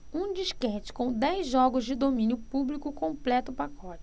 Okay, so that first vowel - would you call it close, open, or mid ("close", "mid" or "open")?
close